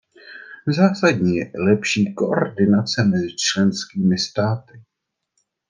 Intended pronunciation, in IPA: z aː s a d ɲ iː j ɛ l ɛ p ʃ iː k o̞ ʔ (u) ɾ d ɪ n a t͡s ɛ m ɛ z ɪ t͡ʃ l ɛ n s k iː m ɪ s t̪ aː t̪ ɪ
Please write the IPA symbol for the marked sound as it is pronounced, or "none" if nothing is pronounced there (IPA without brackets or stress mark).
o